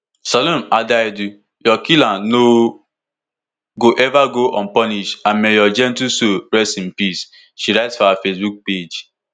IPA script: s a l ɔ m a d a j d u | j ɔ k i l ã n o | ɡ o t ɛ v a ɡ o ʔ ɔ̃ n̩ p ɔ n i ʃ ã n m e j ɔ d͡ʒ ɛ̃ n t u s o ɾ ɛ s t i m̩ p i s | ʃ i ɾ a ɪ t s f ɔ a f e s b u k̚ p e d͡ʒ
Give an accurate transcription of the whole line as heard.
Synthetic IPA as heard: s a l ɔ m a d a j d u | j ɔ k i l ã n o | ɡ o ʔ ɛ v a ɡ o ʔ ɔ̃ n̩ p ɔ n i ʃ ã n m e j ɔ d͡ʒ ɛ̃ n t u s o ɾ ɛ s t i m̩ p i s | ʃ i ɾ a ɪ t s f ɔ a f e s b u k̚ p e d͡ʒ

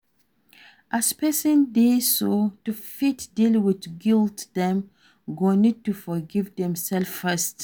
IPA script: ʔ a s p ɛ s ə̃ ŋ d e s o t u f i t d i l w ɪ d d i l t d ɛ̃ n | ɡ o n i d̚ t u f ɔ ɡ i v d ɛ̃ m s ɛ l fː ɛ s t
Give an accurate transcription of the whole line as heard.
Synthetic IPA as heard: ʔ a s p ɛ s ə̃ n d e s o t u f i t d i l w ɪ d ɡ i l t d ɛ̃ m | ɡ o n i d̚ t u f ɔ ɡ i v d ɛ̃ m s ɛ l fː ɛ s t

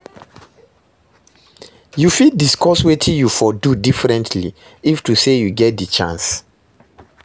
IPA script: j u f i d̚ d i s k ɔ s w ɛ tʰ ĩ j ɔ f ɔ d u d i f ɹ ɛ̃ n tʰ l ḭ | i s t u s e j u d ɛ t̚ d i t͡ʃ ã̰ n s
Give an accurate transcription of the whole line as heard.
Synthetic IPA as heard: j u f i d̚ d i s k ɔ s w e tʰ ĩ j u f ɔ d u d i f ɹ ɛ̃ n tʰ l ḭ | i f t u s e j u ɡ ɛ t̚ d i t͡ʃ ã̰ n s

